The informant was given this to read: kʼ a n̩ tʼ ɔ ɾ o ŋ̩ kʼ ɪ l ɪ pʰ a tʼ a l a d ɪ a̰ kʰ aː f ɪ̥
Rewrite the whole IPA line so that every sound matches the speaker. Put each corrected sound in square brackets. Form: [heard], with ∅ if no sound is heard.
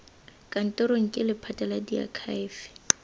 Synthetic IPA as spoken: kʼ a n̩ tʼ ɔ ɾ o ŋ̩ kʼ ɪ l ɪ pʰ a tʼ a l a d [i] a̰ kʰ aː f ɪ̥